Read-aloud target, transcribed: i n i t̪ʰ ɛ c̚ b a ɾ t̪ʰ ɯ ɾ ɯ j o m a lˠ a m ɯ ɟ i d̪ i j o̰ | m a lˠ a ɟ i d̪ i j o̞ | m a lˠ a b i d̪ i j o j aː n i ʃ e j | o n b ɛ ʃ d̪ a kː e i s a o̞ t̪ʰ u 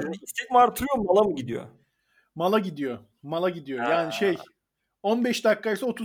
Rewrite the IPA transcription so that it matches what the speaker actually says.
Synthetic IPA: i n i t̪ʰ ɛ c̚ m a ɾ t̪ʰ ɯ ɾ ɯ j o m a lˠ a m ɯ ɟ i d̪ i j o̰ | m a lˠ a ɟ i d̪ i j o̞ | m a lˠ a ɟ i d̪ i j o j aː n i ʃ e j | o n b ɛ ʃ d̪ a kː a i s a o̞ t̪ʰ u